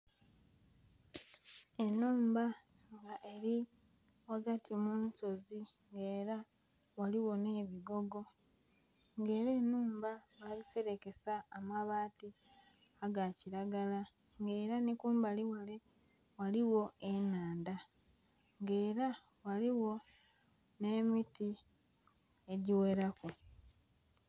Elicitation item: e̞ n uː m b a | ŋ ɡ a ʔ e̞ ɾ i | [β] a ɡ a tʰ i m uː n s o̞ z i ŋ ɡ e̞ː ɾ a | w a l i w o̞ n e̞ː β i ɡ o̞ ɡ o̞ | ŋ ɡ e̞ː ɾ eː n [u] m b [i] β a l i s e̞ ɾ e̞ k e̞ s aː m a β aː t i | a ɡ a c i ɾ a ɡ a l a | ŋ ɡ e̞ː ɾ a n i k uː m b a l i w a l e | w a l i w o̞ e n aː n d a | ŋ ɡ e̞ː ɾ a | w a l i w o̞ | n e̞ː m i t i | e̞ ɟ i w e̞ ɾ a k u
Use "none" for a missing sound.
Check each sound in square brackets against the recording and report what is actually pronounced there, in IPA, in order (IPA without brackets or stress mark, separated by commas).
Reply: w, uː, a